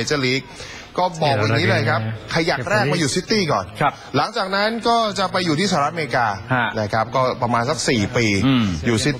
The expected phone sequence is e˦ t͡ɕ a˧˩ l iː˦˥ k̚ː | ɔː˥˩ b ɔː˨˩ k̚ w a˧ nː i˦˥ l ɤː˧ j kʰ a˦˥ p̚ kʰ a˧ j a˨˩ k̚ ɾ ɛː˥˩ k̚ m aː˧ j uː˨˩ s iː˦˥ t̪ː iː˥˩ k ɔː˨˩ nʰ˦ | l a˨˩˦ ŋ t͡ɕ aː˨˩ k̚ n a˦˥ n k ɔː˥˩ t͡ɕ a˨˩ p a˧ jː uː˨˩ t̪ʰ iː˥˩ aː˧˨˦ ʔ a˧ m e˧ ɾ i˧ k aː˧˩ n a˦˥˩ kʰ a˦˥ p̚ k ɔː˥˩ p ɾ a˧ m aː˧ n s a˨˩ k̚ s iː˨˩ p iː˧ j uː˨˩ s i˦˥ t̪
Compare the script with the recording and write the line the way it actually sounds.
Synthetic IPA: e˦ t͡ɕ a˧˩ l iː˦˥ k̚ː | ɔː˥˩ b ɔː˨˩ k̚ w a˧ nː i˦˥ l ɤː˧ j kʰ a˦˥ p̚ kʰ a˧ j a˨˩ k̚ ɾ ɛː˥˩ k̚ m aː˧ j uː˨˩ s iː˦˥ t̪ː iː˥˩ k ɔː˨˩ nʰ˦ | l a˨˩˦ ŋ t͡ɕ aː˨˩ k̚ n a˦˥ n k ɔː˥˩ t͡ɕ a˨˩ p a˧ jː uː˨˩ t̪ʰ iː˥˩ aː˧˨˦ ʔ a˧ m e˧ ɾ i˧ k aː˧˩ n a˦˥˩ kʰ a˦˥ p̚ k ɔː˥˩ p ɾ a˧ m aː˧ n s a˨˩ k̚ s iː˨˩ p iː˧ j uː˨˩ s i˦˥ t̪

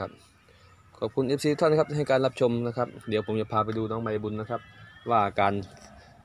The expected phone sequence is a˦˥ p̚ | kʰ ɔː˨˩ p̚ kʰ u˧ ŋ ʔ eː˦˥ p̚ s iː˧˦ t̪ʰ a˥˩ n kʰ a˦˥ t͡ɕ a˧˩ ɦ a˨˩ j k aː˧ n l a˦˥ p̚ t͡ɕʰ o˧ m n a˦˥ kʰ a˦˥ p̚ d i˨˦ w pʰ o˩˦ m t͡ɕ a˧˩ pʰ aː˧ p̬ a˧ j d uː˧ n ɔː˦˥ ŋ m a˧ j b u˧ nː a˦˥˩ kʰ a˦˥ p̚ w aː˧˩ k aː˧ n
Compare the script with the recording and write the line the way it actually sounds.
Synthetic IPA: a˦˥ p̚ | kʰ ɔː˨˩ p̚ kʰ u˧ n ʔ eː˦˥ p̚ s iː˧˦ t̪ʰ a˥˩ n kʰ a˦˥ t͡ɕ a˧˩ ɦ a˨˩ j k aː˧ n l a˦˥ p̚ t͡ɕʰ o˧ m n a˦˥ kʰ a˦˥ p̚ d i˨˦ w pʰ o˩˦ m t͡ɕ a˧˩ pʰ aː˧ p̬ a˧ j d uː˧ n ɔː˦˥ ŋ m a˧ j b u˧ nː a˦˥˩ kʰ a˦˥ p̚ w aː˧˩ k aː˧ n

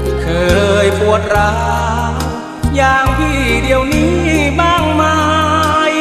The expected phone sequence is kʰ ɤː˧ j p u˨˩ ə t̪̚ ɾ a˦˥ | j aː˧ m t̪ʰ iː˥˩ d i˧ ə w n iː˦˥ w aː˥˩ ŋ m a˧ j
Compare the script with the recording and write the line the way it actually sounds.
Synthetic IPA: kʰ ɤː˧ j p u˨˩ ə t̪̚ ɾ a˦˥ | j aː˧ ŋ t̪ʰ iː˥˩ d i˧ ə w n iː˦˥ b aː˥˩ ŋ m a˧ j

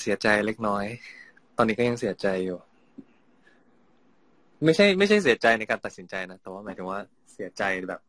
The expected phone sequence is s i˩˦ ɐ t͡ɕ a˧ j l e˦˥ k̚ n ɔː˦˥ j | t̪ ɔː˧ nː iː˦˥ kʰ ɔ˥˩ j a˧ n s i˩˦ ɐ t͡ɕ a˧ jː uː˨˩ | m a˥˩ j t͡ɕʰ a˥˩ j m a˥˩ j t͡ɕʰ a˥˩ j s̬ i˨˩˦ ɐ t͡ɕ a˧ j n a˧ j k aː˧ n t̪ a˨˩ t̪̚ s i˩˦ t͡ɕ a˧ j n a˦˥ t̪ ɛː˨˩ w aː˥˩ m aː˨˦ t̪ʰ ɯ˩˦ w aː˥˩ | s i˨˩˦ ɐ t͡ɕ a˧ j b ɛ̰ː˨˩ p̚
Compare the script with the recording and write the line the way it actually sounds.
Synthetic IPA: s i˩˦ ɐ t͡ɕ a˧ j l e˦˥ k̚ n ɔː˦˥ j | t̪ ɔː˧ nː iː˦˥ k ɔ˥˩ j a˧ ŋ s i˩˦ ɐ t͡ɕ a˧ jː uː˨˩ | m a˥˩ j t͡ɕʰ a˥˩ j m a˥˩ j t͡ɕʰ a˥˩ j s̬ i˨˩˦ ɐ t͡ɕ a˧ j n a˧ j k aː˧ n t̪ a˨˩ t̪̚ s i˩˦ t͡ɕ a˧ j n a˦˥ t̪ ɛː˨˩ w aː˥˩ m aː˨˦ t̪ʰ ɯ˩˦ w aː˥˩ | s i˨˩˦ ɐ t͡ɕ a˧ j b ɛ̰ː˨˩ p̚

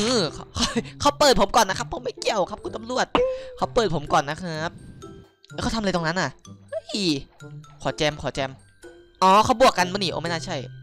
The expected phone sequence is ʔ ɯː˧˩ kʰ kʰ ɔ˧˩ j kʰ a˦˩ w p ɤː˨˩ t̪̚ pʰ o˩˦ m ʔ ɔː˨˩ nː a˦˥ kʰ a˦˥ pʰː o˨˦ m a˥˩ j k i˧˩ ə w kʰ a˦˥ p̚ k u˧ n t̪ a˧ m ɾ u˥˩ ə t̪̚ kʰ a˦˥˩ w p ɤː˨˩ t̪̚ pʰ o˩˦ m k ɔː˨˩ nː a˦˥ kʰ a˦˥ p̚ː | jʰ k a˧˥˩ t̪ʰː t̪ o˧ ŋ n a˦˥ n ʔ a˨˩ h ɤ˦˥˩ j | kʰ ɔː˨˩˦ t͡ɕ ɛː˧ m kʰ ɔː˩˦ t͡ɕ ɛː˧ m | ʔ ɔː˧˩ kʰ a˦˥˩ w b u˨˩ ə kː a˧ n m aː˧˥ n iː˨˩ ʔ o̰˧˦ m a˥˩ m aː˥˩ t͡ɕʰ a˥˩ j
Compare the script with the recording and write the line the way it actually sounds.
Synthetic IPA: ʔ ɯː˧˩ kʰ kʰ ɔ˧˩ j kʰ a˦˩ w p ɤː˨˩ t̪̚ pʰ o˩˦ m k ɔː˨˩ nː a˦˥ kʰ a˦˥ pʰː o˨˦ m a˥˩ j k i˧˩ ə w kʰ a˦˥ p̚ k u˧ n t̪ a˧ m ɾ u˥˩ ə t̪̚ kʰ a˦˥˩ w p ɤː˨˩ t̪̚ pʰ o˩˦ m k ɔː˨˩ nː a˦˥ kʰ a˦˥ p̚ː | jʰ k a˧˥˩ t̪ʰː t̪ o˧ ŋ n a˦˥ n ʔ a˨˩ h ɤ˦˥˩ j | kʰ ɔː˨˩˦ t͡ɕ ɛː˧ m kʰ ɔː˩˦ t͡ɕ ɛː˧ m | ʔ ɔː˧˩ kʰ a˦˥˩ w b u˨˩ ə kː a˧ n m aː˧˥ n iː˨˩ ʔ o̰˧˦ m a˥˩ n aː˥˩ t͡ɕʰ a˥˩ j

